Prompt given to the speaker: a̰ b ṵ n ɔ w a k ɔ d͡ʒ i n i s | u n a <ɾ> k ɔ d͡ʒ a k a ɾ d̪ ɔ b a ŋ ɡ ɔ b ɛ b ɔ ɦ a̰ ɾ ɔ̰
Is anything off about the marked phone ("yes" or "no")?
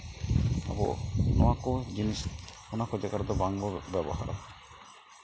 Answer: yes